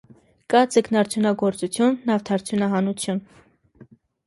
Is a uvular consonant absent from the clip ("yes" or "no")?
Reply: yes